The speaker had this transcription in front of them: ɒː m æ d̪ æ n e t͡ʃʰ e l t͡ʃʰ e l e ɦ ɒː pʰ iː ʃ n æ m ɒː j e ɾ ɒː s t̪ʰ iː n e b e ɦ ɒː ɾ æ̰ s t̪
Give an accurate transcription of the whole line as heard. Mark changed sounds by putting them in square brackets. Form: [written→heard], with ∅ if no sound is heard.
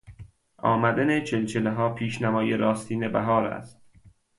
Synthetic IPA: ɒː m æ d̪ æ n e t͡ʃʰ e l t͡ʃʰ e l e ɦ ɒː pʰ iː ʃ n æ m ɒː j e ɾ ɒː s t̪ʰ iː n e b [e→æ] ɦ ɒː ɾ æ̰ s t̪